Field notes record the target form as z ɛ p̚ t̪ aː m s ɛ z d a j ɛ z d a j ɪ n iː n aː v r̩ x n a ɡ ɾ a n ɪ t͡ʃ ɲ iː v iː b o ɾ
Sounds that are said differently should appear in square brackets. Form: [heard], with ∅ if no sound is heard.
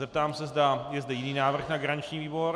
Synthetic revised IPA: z ɛ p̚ t̪ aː m s ɛ z d a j ɛ z d [ɛ] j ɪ n iː n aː v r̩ x n a ɡ ɾ a [ɲ] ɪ t͡ʃ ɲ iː v iː b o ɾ